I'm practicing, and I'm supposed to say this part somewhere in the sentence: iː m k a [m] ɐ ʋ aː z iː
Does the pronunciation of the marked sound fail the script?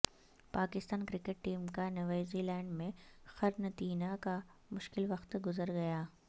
yes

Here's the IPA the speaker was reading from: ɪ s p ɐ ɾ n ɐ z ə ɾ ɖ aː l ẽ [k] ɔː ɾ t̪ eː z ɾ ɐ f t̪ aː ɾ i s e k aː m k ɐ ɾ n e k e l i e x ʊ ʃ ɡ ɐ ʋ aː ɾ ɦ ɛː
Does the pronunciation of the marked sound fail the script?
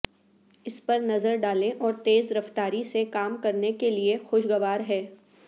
yes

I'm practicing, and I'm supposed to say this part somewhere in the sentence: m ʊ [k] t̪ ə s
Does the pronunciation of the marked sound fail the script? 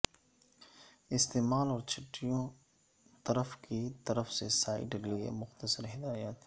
yes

